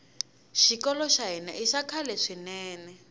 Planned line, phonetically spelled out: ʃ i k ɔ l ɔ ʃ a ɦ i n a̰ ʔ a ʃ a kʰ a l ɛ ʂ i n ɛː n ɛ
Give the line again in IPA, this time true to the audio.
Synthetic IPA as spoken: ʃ i k ɔ l ɔ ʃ a ɦ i n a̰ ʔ i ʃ a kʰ a l ɛ ʂ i n ɛː n ɛ